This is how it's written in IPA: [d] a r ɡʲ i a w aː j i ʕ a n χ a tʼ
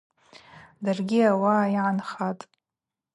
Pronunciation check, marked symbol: correct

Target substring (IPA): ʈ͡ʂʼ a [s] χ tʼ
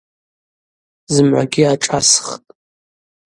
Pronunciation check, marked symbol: correct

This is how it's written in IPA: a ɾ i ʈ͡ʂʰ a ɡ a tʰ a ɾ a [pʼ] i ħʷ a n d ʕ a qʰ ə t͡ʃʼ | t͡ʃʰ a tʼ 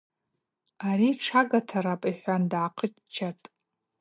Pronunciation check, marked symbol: correct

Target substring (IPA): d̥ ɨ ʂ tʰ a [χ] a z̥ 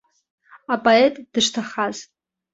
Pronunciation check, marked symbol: correct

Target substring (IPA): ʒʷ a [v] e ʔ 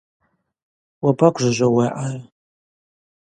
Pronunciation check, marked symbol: incorrect: w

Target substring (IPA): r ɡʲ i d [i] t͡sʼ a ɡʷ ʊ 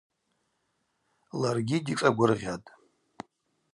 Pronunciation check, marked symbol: correct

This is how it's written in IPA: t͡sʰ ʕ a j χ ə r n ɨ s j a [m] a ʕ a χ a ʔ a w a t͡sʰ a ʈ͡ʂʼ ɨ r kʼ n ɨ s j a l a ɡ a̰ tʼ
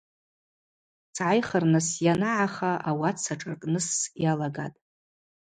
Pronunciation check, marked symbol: incorrect: n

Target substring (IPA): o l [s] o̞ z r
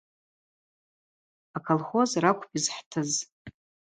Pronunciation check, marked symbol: incorrect: χ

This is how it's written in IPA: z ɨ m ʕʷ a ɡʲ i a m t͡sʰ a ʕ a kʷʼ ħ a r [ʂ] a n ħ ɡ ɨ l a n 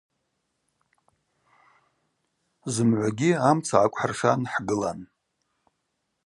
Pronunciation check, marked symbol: correct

